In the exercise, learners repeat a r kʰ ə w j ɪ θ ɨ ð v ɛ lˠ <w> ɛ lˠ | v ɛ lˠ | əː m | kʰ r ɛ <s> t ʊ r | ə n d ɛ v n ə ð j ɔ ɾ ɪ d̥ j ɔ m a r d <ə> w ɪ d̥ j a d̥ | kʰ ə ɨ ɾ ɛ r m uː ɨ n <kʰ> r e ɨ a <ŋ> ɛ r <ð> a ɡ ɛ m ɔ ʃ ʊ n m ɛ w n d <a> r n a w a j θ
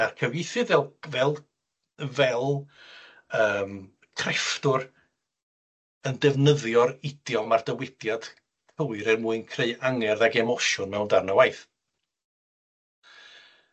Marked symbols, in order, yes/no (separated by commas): no, no, yes, yes, yes, yes, yes